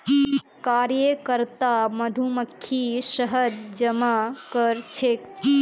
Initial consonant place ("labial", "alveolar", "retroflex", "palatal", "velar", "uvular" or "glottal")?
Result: velar